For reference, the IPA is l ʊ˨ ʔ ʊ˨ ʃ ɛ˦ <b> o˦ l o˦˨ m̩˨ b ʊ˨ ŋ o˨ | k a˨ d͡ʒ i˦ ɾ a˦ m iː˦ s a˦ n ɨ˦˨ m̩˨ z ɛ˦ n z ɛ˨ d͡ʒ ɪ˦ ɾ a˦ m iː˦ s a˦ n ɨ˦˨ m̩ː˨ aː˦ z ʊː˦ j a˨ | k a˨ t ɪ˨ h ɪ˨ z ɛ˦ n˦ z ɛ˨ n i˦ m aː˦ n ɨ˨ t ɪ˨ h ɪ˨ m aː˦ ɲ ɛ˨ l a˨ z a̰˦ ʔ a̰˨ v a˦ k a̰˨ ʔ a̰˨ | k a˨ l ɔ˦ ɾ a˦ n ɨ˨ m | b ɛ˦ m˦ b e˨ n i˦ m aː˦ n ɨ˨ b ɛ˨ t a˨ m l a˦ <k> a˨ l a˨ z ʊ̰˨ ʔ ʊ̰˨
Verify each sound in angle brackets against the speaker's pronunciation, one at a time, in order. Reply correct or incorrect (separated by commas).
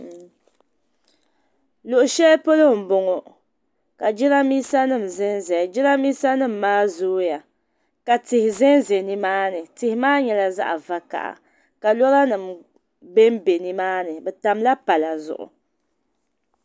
incorrect, incorrect